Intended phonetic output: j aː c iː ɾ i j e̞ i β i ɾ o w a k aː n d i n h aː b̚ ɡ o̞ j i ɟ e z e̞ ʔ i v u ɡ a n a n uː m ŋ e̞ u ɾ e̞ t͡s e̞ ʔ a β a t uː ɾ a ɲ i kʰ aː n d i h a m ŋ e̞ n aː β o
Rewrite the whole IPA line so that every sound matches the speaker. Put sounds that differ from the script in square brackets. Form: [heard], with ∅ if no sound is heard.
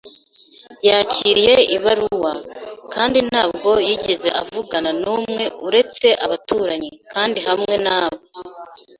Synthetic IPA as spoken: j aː c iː ɾ i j e̞ i β [a] ɾ [u] w a k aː n d i n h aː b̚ ɡ o̞ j i ɟ e z e̞ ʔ [a] v u ɡ a n a n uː m ŋ e̞ u ɾ e̞ t͡s e̞ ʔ a β a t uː ɾ a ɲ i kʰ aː n d i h a m ŋ e̞ n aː β o

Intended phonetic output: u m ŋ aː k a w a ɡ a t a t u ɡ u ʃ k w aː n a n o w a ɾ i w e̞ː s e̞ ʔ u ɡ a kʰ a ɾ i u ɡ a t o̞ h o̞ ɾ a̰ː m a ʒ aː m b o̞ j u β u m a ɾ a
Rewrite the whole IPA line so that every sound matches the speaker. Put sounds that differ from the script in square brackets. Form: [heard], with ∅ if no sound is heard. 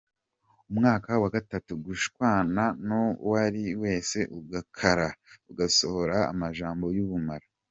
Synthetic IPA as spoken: u m ŋ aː k a w a ɡ a t a t u ɡ u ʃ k w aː n a n o w a ɾ i w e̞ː s e̞ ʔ u ɡ a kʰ a ɾ [a] u ɡ a [s] o̞ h o̞ ɾ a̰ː m a ʒ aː m b o̞ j u β u m a ɾ a

